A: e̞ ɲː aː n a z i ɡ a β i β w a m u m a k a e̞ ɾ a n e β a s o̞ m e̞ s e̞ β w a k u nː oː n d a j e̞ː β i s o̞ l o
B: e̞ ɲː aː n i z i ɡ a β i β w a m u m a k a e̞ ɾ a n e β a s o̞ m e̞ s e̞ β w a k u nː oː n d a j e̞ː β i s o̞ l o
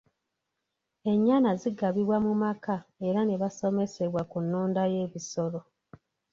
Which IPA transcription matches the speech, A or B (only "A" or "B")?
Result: A